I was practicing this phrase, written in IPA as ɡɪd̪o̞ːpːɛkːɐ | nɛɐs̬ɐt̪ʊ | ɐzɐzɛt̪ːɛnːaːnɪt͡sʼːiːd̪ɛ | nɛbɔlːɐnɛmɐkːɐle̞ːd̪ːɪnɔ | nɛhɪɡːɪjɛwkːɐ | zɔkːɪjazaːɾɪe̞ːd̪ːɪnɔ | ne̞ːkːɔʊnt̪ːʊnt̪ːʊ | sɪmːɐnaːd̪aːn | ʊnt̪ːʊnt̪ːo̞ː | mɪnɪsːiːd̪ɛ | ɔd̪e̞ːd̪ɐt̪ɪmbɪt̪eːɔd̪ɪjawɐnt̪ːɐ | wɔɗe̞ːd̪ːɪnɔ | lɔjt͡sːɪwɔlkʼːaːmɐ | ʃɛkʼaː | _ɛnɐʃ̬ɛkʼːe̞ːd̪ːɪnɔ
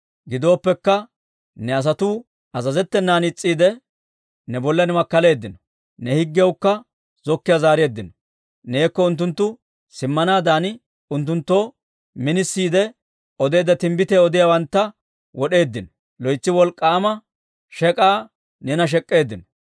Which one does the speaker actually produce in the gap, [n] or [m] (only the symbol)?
n